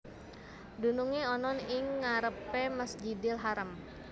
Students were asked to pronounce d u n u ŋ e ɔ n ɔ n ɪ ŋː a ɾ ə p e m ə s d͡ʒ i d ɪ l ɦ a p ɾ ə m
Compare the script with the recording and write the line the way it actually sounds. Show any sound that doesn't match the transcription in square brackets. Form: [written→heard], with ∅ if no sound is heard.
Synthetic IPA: d u n u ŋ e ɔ n ɔ n ɪ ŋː a ɾ ə p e m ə s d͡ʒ i d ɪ l ɦ a [p→∅] ɾ ə m